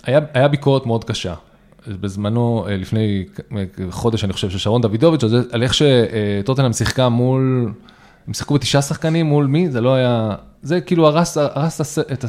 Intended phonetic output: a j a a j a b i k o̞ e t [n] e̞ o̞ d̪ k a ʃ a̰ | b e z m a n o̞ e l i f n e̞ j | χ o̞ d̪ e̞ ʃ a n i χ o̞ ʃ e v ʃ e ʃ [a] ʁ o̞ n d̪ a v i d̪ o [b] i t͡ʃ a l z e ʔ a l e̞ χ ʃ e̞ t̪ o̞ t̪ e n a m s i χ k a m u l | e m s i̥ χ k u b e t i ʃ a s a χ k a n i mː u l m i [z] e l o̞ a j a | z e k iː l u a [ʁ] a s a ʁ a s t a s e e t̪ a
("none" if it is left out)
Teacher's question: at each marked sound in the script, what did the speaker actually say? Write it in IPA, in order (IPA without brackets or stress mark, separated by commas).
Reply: m, a, v, z, ʁ